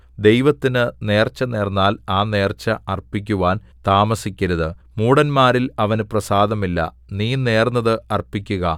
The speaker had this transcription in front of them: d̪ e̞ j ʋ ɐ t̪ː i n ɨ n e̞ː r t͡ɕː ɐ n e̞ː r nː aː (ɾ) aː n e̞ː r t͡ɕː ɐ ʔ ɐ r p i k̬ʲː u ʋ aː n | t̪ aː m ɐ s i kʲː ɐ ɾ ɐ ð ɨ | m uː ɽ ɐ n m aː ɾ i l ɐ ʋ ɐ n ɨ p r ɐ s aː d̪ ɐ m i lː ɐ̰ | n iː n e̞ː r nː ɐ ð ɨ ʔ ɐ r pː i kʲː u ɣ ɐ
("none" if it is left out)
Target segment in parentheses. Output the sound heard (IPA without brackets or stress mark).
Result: l